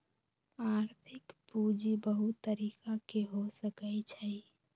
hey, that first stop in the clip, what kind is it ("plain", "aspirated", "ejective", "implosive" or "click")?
aspirated